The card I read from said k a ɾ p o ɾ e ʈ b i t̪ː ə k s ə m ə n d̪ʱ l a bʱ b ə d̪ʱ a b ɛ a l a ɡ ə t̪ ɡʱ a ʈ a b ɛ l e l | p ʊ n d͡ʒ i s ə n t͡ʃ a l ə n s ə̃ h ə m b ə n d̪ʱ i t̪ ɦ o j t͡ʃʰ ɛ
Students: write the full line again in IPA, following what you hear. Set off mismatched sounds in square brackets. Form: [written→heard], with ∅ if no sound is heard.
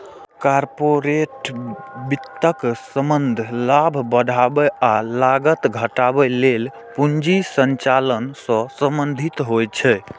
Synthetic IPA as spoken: k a ɾ p o ɾ e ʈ b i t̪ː ə k s ə m ə n d̪ʱ l a bʱ b ə d̪ʱ a b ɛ a l a ɡ ə t̪ ɡʱ [a→ə] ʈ a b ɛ l e l | p [ʊ→u] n d͡ʒ i s ə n t͡ʃ a l ə n s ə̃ [h→s] ə m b ə n d̪ʱ i t̪ ɦ o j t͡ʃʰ ɛ